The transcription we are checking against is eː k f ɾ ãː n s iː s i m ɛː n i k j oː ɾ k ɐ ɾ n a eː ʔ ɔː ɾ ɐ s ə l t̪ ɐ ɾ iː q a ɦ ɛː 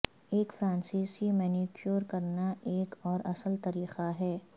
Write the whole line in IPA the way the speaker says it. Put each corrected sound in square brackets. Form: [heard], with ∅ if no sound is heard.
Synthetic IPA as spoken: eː k f ɾ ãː n s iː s i m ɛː n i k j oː ɾ k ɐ ɾ n a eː [k] ɔː ɾ ɐ s ə l t̪ ɐ ɾ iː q a ɦ ɛː

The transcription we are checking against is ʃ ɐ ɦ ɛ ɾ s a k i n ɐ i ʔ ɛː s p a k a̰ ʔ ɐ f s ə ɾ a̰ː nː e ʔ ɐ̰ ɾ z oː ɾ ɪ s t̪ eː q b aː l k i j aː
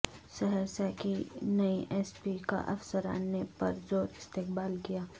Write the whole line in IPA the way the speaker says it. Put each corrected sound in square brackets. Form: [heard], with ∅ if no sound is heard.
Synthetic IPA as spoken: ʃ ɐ ɦ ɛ ɾ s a k i n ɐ i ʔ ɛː s p [i] k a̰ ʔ ɐ f s ə ɾ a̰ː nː e [p] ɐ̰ ɾ z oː ɾ ɪ s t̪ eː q b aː l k i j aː

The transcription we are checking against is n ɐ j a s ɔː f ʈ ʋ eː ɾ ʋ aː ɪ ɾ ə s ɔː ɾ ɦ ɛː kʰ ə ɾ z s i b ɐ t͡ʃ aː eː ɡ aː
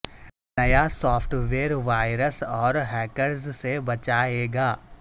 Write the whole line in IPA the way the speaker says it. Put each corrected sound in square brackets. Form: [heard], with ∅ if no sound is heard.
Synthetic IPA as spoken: n ɐ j a s ɔː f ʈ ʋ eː ɾ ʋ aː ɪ ɾ ə s ɔː ɾ ɦ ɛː [k] ə ɾ z s [e] b ɐ t͡ʃ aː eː ɡ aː

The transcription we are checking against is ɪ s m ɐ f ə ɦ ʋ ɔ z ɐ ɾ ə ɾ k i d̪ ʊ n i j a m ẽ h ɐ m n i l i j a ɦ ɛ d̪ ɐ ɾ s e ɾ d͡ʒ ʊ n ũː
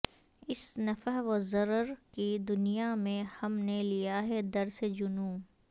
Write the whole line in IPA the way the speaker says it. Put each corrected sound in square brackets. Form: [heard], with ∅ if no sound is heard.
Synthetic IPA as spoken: ɪ s [n] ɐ f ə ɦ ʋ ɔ z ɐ ɾ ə ɾ k i d̪ ʊ n i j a m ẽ h ɐ m n [e] l i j a ɦ ɛ d̪ ɐ ɾ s e [∅] d͡ʒ ʊ n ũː

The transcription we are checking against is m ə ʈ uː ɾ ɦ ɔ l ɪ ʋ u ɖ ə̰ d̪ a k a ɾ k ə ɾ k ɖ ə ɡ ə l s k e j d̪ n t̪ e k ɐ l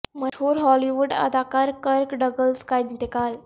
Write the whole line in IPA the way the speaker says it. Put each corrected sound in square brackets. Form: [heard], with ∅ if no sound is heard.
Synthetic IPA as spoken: m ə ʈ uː ɾ ɦ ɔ l [i] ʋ u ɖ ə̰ d̪ a k a ɾ k ə ɾ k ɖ ə ɡ ə l s k [a] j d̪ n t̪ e k [a] l

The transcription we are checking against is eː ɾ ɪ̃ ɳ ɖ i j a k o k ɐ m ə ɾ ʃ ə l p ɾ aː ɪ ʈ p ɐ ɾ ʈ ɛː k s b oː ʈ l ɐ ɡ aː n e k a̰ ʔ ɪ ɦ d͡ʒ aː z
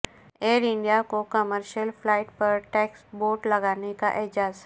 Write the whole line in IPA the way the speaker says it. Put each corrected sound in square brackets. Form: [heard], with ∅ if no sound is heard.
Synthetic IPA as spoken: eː ɾ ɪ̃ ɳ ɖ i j a k o k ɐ m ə ɾ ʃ ə l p [l] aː ɪ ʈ p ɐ ɾ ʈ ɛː k s b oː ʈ l ɐ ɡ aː n e k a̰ ʔ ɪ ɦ d͡ʒ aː z

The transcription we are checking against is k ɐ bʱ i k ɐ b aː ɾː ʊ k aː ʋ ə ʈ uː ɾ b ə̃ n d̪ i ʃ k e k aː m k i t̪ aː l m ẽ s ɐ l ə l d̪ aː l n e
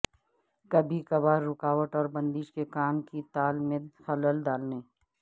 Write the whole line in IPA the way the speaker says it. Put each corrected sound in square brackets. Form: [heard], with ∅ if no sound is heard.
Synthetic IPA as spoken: k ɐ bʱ i k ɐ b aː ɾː ʊ k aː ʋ ə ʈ [ɔː] ɾ b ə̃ n d̪ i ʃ k e k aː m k i t̪ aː l m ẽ [x] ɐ l ə l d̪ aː l n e

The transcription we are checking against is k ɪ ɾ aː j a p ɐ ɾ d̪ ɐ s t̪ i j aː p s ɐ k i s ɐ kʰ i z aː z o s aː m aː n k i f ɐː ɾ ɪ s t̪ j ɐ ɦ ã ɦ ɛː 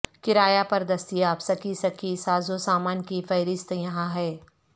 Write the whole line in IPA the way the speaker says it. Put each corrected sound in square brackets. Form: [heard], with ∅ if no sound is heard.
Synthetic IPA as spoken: k ɪ ɾ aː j a p ɐ ɾ d̪ ɐ s t̪ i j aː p s ɐ k i s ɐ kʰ i [s] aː z o s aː m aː n k i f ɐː ɾ ɪ s t̪ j ɐ ɦ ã ɦ ɛː

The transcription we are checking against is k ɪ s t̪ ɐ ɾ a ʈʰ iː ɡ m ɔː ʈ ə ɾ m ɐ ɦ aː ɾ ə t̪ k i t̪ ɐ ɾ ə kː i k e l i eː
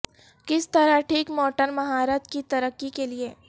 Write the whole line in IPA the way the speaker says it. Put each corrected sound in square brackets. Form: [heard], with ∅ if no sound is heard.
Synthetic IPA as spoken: k ɪ s t̪ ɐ ɾ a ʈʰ iː [k] m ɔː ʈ ə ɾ m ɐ ɦ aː ɾ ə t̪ k i t̪ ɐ ɾ ə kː i k e l i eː

